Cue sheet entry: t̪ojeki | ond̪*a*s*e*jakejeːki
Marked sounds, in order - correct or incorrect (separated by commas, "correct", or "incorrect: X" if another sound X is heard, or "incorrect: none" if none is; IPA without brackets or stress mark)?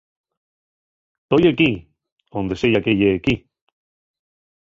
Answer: incorrect: e, correct